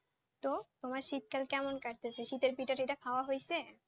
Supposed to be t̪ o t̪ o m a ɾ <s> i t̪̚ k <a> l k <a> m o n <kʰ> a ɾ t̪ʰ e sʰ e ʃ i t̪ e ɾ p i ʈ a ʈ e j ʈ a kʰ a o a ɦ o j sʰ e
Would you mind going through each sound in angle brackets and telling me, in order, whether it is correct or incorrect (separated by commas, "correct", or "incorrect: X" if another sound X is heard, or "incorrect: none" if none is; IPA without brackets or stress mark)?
incorrect: ʃ, correct, incorrect: ɛ, incorrect: k